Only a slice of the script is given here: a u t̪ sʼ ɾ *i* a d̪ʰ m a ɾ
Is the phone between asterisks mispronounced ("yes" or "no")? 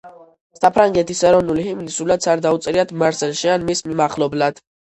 no